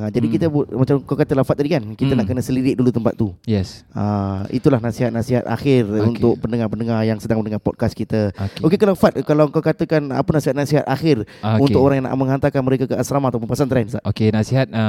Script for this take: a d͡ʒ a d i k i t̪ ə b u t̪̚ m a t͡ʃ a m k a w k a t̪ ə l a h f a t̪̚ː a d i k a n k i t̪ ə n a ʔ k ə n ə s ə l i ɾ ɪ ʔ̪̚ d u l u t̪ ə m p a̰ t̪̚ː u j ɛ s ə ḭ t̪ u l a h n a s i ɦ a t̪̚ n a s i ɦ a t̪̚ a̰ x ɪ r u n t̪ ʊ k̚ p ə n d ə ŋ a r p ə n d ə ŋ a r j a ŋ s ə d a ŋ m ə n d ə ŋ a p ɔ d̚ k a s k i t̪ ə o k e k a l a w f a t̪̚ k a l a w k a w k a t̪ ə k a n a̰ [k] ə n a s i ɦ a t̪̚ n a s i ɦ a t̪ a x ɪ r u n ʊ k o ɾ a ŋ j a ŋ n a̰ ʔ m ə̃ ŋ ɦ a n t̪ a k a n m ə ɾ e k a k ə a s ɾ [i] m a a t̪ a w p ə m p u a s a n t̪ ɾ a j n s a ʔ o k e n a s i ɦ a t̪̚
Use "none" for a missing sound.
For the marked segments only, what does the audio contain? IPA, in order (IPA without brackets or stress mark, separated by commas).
p, a